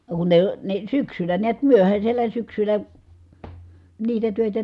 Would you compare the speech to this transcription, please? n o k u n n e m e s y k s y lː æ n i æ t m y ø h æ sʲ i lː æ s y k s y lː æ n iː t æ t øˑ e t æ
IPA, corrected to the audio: n o k u n n e n e s y k s y l æ n i æ t m y ø h æ sʲ e lː æ s y k s y l æ n iː t æ t øˑ e t æ